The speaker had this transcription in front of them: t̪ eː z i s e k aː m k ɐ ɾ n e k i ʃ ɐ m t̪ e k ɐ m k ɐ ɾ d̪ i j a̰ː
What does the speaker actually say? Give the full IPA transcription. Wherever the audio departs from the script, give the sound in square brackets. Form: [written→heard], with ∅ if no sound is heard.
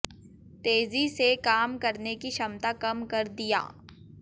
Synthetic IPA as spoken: t̪ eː z i s e k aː m k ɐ ɾ n e k i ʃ ɐ m t̪ [e→a] k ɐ m k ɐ ɾ d̪ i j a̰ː